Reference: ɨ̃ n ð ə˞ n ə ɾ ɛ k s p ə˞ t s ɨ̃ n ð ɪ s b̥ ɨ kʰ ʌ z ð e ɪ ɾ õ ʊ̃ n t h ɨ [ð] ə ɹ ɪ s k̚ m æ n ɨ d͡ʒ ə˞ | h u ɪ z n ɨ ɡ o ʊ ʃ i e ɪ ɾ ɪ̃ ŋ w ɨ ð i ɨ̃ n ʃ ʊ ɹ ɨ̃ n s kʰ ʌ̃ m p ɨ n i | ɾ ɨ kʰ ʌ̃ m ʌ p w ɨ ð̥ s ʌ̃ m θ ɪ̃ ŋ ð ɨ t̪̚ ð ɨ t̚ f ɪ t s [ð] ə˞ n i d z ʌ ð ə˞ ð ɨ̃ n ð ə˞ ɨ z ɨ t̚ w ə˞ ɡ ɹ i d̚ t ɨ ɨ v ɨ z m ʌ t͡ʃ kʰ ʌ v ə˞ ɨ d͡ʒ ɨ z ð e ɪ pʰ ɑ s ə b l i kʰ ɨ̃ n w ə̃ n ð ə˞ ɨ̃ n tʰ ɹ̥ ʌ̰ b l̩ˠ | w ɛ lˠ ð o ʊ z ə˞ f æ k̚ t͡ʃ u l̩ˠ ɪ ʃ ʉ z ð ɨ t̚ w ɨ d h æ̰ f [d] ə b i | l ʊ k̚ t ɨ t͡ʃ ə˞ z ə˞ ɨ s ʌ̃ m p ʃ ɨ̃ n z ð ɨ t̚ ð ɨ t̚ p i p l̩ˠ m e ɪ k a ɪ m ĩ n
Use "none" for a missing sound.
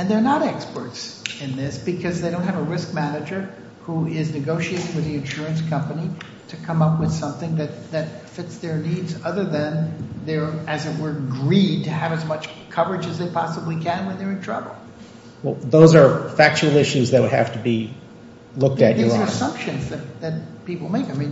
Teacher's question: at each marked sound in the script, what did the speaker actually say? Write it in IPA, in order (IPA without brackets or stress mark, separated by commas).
v, ð, t